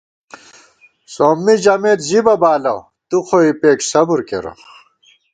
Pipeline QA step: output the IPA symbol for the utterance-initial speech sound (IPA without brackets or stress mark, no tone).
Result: s